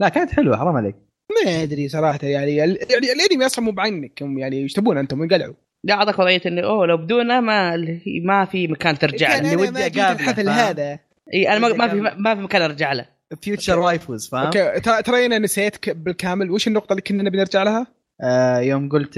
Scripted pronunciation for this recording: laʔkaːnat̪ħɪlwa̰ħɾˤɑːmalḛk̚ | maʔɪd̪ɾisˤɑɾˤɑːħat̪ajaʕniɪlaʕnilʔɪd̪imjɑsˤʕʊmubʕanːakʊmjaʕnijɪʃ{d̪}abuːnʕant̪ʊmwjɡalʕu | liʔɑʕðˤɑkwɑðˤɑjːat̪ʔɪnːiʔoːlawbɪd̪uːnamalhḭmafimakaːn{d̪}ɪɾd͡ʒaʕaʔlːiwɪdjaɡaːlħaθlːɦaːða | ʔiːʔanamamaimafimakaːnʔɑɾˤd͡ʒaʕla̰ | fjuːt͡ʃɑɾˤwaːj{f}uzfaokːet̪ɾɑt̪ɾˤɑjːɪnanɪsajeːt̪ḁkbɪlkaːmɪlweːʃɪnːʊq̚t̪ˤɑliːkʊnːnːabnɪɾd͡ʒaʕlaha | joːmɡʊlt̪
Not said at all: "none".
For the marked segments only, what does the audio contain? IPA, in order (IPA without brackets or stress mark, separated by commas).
t̪, t̪, f